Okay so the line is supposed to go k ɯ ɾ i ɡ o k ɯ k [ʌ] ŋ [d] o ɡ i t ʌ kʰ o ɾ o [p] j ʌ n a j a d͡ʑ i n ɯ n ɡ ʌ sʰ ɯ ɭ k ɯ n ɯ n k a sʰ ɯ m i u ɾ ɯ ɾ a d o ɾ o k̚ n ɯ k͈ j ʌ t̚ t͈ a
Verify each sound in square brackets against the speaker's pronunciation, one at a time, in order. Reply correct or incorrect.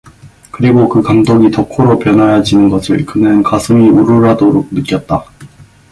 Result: incorrect, correct, correct

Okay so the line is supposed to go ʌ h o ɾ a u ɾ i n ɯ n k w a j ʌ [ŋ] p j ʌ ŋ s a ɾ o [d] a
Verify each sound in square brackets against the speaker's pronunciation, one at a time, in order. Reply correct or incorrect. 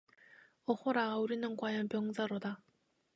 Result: incorrect, correct

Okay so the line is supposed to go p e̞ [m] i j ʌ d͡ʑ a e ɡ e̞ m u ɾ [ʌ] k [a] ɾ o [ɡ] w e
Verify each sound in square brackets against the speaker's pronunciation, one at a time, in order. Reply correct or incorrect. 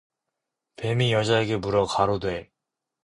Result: correct, correct, correct, incorrect

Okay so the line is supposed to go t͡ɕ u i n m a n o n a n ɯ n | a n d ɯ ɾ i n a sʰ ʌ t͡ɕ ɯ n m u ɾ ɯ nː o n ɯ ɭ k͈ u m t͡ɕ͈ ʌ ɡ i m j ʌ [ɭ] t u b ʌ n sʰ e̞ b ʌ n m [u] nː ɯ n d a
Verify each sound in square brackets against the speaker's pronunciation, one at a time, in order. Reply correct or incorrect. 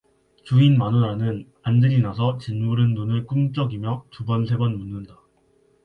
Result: incorrect, correct

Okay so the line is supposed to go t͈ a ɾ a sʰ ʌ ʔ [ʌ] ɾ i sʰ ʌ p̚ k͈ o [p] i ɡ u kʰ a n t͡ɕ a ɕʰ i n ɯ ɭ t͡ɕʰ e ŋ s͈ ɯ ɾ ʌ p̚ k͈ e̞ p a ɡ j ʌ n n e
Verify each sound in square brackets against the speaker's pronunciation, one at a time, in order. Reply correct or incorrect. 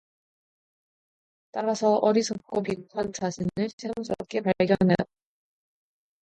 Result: correct, correct

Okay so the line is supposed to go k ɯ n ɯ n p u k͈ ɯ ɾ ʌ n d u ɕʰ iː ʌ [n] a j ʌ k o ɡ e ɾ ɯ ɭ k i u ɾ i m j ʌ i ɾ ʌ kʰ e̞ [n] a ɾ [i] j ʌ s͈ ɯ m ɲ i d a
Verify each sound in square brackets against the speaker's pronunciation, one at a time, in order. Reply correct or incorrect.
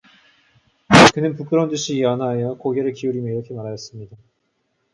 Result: correct, incorrect, incorrect

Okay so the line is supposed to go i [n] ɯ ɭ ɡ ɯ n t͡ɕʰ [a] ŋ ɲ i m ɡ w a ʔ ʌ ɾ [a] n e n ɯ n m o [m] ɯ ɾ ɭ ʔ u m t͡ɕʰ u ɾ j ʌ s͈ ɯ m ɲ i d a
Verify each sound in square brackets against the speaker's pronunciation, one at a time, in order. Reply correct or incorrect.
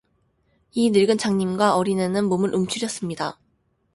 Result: correct, correct, incorrect, correct

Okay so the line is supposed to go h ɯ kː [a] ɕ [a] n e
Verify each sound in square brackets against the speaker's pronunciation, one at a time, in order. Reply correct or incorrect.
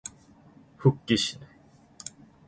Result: incorrect, incorrect

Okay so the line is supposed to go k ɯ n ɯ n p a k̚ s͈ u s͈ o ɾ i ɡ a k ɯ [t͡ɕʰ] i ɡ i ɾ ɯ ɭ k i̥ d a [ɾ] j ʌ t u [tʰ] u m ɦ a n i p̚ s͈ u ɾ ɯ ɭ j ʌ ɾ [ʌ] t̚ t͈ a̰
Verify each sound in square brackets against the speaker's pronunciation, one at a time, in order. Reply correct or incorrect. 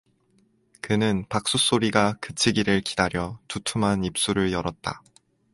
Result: correct, correct, correct, correct

